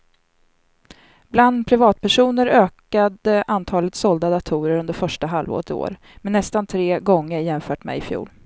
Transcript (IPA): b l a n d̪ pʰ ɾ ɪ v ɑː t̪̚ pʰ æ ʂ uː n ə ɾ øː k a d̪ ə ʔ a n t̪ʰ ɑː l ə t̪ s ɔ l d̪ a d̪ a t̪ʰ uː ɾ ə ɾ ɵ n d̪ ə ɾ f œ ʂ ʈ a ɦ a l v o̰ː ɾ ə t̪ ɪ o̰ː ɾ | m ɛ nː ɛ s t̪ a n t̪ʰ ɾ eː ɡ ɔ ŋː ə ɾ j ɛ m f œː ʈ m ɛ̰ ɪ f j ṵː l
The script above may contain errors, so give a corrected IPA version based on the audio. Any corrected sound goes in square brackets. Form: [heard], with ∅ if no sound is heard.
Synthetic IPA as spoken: b l a n d̪ pʰ ɾ ɪ v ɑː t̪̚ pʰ æ ʂ uː n ə ɾ øː k a d̪ ə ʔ a n t̪ʰ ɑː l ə t̪ s ɔ l d̪ a d̪ a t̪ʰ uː ɾ ə ɾ ɵ n d̪ ə ɾ f œ ʂ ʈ a ɦ a l v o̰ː ɾ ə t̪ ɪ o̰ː ɾ | m ɛ nː ɛ s t̪ a n t̪ʰ ɾ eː ɡ ɔ ŋː ə ɾ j ɛ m f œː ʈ m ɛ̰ ɪ f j ṵː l